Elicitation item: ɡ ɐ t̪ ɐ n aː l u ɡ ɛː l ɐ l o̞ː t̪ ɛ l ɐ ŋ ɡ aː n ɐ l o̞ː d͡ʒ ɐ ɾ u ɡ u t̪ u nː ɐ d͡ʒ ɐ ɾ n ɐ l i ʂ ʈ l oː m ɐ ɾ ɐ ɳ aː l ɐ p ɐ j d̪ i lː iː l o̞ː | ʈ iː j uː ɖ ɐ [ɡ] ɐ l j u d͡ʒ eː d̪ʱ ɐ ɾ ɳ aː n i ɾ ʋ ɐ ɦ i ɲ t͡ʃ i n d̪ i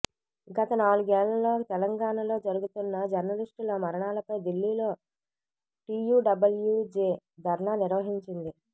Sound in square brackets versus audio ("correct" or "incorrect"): incorrect